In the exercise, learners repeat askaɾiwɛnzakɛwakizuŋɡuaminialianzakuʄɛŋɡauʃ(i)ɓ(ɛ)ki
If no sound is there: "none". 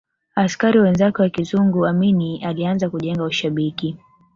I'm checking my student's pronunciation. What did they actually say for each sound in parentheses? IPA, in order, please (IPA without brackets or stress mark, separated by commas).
a, i